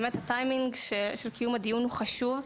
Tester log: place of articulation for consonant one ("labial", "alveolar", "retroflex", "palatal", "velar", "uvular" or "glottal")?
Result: labial